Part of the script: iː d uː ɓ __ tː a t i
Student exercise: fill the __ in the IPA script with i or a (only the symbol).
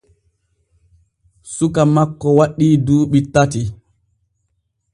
i